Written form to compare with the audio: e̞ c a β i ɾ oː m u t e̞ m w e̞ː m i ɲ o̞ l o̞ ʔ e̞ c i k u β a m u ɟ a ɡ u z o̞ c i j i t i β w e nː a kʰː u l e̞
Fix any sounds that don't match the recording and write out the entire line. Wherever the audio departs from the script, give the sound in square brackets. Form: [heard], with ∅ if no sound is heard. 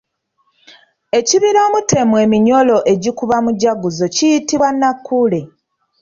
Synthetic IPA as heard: e̞ c [i] β i ɾ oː m u t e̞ m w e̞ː m i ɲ o̞ l o̞ ʔ e̞ [ɟ] i k u β a m u ɟ a ɡ u z o̞ c i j i t i β w [a] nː a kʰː u l e̞